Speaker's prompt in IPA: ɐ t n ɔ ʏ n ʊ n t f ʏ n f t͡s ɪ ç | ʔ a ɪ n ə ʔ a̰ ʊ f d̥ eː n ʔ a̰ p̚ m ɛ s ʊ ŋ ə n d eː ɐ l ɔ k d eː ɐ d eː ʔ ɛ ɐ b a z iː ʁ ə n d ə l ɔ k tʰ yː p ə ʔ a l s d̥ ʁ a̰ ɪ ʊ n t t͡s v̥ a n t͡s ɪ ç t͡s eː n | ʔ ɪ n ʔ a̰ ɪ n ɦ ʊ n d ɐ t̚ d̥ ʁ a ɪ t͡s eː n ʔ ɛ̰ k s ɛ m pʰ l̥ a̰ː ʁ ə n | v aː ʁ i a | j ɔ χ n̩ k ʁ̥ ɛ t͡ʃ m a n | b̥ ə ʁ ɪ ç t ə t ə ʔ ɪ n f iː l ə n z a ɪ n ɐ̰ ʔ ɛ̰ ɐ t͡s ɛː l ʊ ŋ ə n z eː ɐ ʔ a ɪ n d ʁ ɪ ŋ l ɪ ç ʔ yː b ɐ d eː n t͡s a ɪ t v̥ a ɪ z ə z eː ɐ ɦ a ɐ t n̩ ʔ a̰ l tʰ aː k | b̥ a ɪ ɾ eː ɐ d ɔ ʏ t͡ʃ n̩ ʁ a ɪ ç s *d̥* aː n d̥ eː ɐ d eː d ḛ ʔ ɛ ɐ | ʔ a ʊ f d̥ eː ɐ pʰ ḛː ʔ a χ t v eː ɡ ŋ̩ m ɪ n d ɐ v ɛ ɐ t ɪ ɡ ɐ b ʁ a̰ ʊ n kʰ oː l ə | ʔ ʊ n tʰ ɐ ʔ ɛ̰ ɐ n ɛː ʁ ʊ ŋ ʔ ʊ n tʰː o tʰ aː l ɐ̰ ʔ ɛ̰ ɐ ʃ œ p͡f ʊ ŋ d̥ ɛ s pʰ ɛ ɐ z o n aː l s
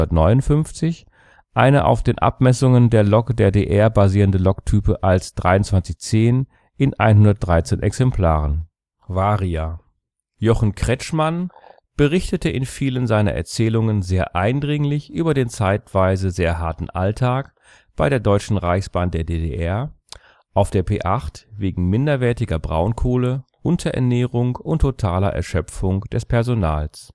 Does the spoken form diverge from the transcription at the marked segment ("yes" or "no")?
yes